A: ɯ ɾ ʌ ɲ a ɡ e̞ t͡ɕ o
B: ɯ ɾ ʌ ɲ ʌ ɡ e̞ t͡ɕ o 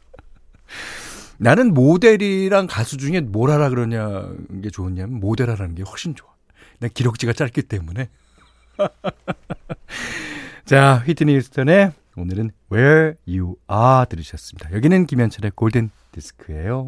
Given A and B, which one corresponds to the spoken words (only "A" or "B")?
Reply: A